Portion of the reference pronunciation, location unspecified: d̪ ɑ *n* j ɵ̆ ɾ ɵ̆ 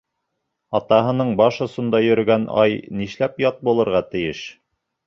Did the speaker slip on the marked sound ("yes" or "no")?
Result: yes